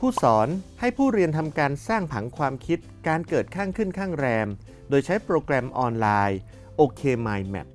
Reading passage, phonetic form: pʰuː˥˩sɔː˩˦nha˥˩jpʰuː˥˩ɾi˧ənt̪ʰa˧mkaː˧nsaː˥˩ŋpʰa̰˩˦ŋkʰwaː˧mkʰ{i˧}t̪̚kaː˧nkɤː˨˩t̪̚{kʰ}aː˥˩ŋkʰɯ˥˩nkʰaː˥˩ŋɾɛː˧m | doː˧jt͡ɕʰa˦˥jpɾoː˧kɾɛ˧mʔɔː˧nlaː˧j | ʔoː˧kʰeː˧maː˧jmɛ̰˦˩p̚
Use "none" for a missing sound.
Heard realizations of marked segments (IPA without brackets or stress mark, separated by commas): i˦˥, kʰ